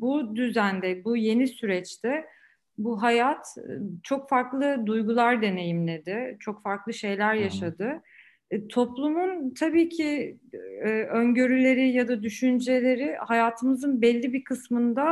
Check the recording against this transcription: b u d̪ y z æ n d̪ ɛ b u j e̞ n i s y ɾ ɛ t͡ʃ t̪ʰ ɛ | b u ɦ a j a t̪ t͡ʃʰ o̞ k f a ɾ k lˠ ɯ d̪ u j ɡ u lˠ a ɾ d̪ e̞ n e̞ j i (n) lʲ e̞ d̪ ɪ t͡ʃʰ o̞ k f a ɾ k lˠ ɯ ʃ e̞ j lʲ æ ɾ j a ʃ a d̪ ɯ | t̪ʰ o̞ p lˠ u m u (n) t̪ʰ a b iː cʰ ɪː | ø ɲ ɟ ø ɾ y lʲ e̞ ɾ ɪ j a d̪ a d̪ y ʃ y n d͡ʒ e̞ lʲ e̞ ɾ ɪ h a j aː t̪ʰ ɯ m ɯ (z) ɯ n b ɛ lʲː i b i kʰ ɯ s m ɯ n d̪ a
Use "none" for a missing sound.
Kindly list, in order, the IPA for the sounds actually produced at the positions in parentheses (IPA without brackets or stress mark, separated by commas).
m, n, z